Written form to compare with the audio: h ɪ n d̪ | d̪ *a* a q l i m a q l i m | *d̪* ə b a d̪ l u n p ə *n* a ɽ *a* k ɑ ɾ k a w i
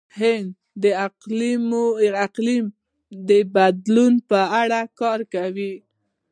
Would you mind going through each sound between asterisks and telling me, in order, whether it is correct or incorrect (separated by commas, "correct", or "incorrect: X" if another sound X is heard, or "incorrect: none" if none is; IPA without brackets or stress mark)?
incorrect: ə, correct, incorrect: none, correct